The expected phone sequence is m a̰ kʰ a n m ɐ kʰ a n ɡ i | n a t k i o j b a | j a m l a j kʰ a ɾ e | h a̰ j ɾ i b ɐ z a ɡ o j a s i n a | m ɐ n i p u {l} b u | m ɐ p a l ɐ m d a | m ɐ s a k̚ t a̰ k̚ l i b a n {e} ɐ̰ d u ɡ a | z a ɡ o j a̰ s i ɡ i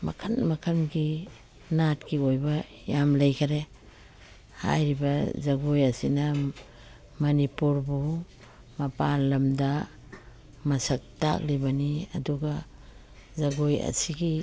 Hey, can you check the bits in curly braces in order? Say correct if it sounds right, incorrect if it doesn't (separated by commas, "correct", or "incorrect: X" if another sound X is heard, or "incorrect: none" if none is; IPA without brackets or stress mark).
incorrect: ɾ, incorrect: i